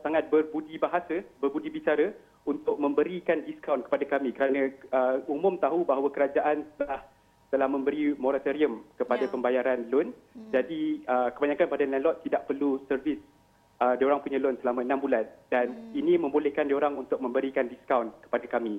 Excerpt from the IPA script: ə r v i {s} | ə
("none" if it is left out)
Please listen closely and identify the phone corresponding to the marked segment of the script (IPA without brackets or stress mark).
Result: s